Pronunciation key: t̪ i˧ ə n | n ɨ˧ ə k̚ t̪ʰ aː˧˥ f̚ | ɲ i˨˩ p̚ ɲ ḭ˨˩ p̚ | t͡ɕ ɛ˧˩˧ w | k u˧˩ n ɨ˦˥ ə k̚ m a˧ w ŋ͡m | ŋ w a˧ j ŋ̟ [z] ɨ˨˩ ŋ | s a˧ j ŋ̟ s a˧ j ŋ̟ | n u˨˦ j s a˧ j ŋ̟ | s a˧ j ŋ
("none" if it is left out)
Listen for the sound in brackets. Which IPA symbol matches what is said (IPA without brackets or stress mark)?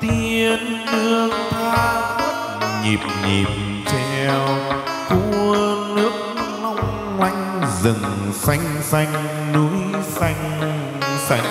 z